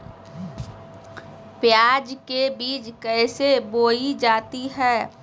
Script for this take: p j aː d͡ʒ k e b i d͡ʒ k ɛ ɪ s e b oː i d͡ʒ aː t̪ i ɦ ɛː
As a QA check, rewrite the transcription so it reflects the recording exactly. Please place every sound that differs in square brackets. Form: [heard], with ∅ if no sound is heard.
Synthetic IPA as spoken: p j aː d͡ʒ k e b [iː] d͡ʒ k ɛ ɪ s e b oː i d͡ʒ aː t̪ i ɦ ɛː